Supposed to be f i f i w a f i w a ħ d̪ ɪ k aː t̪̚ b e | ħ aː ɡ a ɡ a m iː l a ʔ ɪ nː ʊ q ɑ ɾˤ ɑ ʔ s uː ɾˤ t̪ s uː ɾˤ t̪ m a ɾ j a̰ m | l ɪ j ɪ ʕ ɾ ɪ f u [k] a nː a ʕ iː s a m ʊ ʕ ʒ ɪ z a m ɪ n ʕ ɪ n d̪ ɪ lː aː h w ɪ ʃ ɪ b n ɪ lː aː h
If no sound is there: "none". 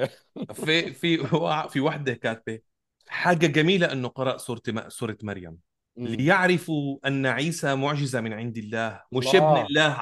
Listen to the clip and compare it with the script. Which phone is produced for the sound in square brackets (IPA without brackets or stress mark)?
ʔ